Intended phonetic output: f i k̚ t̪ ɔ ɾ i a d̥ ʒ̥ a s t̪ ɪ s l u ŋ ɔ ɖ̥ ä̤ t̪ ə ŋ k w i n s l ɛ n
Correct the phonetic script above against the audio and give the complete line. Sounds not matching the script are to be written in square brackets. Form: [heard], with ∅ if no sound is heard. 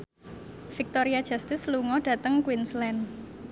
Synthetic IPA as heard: f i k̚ t̪ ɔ ɾ i a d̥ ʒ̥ a s t̪ ɪ s l u ŋ ɔ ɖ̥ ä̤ t̪ ə ŋ k w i n s l ɛ n